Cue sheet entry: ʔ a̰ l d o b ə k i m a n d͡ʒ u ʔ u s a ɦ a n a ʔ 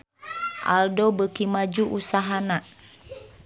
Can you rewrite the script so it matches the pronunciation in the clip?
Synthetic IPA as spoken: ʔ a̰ l d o b ə k i m a d͡ʒ u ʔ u s a ɦ a n a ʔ